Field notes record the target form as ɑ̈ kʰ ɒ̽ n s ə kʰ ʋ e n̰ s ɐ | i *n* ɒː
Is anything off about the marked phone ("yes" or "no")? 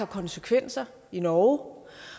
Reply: no